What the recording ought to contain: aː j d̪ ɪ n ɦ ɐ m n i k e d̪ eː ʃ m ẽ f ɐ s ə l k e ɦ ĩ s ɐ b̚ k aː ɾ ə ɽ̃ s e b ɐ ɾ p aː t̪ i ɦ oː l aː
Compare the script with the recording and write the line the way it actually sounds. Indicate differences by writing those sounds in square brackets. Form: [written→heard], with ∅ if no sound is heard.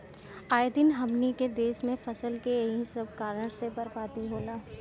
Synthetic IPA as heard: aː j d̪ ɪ n ɦ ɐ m n i k e d̪ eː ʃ m ẽ f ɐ s ə l k e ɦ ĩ s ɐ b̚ k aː ɾ ə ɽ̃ s e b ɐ ɾ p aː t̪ i ɦ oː l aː